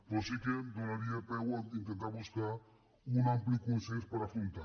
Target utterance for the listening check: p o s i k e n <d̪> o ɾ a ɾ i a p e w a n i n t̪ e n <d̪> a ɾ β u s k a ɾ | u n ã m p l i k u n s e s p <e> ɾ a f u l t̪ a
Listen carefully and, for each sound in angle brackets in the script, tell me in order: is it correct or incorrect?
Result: correct, incorrect: t̪, incorrect: a

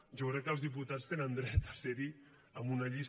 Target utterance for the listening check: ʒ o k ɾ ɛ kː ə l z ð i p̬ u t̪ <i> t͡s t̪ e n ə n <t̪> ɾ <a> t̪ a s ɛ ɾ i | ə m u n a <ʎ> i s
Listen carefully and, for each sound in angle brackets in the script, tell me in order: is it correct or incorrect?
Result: incorrect: a, incorrect: d̪, incorrect: ɛ, correct

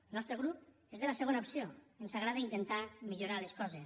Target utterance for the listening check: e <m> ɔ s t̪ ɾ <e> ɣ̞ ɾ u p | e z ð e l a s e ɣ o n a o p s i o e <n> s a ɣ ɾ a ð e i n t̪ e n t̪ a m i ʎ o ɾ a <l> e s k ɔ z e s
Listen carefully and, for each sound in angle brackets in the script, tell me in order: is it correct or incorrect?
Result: incorrect: n, correct, correct, correct

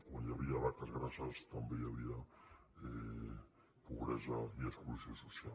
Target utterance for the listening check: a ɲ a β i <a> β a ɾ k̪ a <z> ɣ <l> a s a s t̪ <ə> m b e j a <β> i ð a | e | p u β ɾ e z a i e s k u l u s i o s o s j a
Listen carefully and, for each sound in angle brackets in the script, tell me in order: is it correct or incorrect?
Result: correct, correct, incorrect: ɾ, incorrect: a, correct

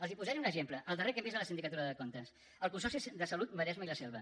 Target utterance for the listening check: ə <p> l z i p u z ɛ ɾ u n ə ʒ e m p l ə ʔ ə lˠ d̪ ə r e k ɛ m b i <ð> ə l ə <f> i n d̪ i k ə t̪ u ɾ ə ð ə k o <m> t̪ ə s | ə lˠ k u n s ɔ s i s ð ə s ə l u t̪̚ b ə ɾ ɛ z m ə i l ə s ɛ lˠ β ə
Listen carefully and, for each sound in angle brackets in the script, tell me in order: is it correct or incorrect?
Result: incorrect: none, incorrect: z, incorrect: s, incorrect: n

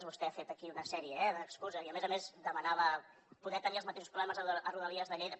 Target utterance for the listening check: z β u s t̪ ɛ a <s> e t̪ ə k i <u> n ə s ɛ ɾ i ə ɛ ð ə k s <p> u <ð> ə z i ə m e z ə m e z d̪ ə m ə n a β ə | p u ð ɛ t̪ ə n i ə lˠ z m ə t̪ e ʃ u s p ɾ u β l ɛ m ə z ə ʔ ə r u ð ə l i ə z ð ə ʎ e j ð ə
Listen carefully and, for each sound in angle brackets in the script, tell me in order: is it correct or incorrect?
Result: incorrect: f, correct, incorrect: k, incorrect: z

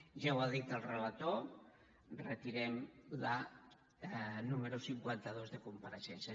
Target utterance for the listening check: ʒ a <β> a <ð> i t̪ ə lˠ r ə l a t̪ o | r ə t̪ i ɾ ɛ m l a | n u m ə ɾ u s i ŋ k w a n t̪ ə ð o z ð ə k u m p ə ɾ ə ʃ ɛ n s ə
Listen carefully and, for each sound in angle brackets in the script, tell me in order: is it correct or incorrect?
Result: incorrect: w, correct

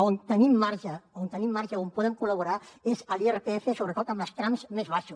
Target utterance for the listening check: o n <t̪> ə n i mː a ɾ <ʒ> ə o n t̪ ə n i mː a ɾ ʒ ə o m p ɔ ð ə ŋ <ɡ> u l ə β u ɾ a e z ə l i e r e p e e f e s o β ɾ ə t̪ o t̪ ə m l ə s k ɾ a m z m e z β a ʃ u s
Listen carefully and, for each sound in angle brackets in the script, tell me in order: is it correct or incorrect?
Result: correct, correct, incorrect: k

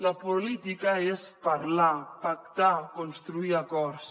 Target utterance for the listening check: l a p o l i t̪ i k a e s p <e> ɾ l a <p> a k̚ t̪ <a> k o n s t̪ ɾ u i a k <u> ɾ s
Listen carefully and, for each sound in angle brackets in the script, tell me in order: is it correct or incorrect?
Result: incorrect: a, correct, correct, incorrect: ɔ

